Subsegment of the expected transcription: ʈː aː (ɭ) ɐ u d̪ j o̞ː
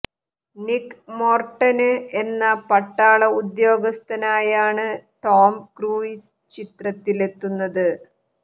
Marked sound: correct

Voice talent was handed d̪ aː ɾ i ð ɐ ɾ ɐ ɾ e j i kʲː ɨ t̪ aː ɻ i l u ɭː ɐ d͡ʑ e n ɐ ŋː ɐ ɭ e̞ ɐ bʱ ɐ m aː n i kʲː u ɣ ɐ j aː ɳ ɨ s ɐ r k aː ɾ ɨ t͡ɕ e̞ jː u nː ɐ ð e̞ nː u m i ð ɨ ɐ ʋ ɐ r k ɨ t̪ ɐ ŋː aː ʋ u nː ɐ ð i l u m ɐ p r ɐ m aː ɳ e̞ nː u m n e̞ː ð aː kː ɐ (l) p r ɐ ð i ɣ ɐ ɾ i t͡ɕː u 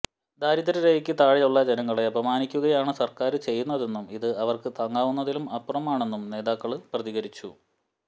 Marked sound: incorrect: ɭ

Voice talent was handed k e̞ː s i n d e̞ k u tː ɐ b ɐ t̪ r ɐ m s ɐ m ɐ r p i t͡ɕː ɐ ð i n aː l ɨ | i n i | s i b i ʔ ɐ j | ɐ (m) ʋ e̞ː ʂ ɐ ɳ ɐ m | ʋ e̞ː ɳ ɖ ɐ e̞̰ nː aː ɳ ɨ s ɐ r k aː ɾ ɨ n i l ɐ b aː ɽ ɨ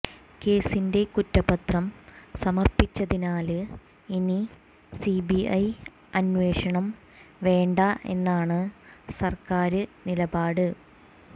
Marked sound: incorrect: n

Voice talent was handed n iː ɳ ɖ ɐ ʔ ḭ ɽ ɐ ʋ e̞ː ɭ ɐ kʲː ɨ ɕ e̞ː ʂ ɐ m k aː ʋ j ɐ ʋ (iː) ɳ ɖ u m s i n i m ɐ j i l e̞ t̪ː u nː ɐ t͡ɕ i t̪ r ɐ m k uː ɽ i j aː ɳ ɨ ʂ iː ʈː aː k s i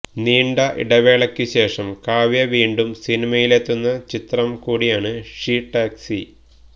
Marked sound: correct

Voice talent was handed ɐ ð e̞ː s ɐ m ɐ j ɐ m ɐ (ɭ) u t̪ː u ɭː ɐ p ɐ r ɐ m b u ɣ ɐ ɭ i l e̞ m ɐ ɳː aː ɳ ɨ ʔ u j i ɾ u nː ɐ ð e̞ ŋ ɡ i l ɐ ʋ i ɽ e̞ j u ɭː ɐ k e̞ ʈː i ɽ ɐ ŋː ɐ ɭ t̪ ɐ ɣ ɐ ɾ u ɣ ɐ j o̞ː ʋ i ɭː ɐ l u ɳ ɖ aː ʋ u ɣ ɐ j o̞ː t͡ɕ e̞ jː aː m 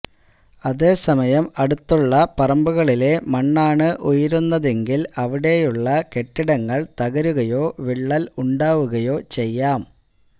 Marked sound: incorrect: ɽ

